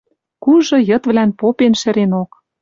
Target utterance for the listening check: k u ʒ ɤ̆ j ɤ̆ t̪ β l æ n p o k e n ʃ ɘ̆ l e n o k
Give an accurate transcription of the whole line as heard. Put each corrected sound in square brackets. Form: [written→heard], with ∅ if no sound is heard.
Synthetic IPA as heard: k u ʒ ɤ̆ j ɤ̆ t̪ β l æ n p o [k→p] e n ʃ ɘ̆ [l→ɾ] e n o k

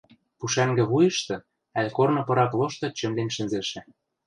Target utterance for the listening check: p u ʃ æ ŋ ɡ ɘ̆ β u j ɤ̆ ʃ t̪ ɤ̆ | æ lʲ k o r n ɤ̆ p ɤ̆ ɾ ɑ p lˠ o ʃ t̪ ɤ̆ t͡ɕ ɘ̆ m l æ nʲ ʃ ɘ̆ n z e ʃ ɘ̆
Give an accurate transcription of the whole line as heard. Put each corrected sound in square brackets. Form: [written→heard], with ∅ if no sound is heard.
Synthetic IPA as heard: p u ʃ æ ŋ ɡ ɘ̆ β u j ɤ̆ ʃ t̪ ɤ̆ | æ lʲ k o r n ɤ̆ p ɤ̆ ɾ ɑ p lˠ o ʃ t̪ ɤ̆ t͡ɕ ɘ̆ m l [æ→e] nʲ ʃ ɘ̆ n z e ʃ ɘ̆

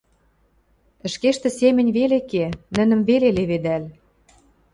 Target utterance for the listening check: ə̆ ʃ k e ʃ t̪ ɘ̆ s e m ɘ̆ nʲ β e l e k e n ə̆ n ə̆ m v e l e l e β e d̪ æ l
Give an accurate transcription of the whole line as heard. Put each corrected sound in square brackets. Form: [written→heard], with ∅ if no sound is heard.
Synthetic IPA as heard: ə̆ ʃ k e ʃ t̪ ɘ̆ s e m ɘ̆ nʲ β e l e k e n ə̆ n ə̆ m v e l e l e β e d̪ æ l

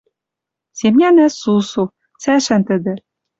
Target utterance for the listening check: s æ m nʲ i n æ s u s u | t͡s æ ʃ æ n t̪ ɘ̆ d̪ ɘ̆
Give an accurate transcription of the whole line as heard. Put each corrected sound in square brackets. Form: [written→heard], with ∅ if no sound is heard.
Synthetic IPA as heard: s [æ→e] m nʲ [i→æ] n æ s u s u | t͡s æ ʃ æ n t̪ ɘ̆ d̪ ɘ̆

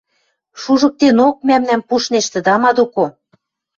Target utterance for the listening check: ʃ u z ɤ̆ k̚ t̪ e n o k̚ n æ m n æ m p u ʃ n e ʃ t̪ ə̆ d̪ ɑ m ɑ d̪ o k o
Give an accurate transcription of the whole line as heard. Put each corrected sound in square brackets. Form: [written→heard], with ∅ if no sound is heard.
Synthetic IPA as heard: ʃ u [z→ʒ] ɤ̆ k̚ t̪ e n o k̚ [n→m] æ m n æ m p u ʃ n e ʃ t̪ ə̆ d̪ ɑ m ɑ d̪ o k o

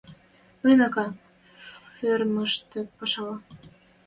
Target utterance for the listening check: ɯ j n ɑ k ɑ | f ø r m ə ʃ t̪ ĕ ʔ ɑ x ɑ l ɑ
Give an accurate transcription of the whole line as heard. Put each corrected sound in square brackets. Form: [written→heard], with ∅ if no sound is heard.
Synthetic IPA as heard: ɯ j n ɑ k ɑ | f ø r m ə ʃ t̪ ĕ [ʔ→p] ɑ [x→ʃ] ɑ l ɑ

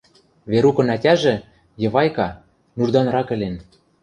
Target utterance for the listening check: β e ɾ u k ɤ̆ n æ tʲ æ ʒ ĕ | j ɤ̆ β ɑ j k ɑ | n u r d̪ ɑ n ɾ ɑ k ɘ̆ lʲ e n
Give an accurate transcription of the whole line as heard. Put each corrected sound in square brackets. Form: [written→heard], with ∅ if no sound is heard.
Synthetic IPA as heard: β e ɾ u k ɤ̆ n æ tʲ æ ʒ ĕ | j ɤ̆ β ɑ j k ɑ | n u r d̪ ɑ n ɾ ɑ k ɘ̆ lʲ e n

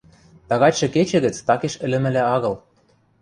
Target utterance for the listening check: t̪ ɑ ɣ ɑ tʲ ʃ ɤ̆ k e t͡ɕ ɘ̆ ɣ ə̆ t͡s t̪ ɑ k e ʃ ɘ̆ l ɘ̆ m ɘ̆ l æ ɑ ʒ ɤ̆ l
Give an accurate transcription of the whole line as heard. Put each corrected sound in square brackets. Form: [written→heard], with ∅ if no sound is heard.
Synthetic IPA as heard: t̪ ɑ ɣ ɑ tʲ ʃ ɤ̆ k e t͡ɕ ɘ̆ ɣ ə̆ t͡s t̪ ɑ k e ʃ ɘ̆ l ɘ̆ m ɘ̆ l æ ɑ [ʒ→ɣ] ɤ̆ l

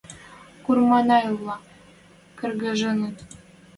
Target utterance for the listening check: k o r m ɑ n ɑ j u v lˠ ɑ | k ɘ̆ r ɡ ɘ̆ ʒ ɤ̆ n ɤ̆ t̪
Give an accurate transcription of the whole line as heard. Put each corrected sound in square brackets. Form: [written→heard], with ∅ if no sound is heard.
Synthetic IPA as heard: k [o→u] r m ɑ n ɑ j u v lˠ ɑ | k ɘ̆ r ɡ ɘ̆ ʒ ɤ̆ n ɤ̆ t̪

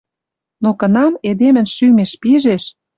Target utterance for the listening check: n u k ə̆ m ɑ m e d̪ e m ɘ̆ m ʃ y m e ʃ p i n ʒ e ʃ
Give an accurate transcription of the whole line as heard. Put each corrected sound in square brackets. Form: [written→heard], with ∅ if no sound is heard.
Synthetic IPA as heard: n [u→o] k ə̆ [m→n] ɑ m e d̪ e m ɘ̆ [m→n] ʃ y m e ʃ p i [n→∅] ʒ e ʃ

